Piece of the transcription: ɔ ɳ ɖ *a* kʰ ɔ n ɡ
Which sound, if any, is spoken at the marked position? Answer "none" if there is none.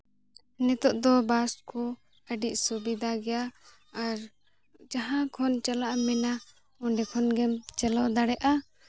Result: ɛ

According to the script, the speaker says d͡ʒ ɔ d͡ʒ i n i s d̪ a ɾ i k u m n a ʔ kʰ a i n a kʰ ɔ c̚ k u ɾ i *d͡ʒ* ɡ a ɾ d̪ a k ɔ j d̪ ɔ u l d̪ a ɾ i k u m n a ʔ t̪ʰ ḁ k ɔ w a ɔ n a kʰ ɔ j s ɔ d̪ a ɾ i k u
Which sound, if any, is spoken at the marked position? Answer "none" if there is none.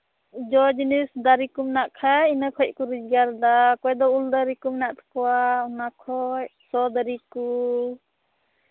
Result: d͡ʒ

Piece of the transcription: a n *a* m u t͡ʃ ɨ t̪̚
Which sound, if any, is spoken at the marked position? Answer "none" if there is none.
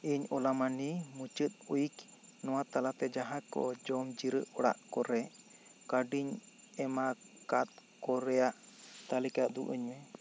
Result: i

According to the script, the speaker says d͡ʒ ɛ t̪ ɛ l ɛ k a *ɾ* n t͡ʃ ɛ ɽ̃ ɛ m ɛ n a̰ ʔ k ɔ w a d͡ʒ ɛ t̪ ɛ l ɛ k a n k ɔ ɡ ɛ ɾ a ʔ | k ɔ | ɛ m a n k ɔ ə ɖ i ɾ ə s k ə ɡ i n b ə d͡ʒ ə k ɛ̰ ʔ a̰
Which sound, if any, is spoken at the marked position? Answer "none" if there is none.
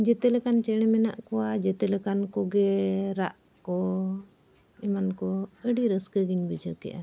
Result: none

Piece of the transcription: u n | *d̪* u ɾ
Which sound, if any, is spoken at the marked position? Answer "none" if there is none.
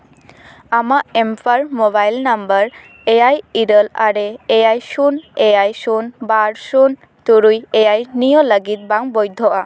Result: t̪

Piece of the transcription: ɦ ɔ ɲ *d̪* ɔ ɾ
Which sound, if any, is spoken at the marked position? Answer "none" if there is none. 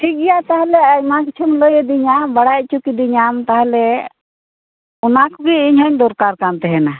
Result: d̪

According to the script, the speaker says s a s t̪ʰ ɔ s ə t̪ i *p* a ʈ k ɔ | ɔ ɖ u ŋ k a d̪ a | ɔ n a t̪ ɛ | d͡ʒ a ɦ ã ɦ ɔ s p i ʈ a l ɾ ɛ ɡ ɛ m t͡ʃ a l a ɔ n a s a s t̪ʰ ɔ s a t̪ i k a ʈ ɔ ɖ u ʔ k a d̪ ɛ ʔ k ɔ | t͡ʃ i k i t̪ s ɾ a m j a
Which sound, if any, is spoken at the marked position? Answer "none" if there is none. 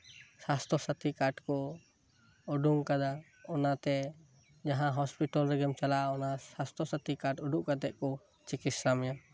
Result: k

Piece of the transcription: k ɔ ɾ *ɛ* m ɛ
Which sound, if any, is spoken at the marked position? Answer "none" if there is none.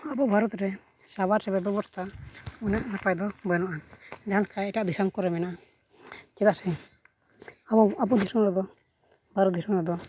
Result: ɛ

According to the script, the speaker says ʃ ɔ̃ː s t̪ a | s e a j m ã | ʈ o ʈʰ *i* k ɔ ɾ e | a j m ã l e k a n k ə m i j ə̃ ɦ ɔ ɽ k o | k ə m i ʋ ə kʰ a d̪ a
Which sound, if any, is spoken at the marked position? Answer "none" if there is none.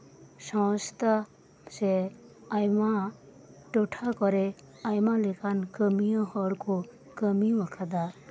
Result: a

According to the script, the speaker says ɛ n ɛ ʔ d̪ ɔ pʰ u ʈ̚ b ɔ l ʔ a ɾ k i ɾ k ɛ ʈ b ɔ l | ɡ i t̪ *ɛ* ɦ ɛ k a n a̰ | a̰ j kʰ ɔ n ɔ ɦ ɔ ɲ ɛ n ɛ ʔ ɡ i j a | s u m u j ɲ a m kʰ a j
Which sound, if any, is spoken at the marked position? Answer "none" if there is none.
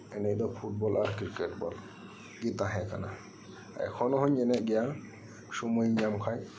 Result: a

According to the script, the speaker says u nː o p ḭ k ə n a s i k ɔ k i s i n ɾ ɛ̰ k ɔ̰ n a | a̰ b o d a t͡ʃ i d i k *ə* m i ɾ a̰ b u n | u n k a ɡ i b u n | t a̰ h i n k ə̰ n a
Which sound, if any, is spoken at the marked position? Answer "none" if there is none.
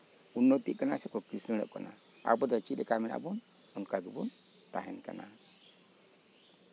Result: a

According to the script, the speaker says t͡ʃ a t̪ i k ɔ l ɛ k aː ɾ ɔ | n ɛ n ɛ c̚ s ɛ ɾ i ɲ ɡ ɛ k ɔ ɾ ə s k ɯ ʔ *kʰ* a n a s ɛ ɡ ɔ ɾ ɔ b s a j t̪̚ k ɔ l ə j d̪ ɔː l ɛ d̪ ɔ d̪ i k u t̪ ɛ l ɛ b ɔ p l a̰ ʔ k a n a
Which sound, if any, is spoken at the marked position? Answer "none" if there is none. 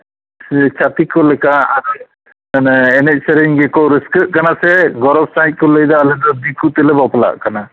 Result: k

